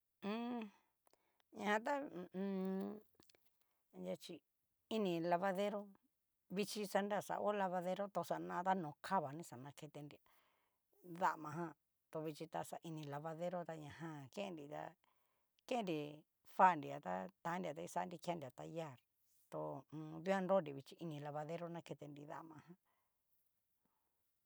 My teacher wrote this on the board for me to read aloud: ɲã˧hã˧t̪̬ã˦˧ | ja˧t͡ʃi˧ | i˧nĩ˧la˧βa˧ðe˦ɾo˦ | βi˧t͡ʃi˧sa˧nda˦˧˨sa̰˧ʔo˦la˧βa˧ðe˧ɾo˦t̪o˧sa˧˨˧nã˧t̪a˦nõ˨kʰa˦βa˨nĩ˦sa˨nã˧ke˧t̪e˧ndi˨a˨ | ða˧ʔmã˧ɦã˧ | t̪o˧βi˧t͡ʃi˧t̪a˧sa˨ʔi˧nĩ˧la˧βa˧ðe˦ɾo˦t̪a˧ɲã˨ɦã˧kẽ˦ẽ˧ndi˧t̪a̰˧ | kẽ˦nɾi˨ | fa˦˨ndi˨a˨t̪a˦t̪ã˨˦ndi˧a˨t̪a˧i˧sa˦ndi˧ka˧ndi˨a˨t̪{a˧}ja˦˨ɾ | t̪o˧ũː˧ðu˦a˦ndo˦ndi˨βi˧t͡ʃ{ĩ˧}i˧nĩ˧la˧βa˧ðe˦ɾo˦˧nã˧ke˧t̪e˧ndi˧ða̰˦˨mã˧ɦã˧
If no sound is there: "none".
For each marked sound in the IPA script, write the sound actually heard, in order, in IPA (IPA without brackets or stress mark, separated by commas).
a˧, i˧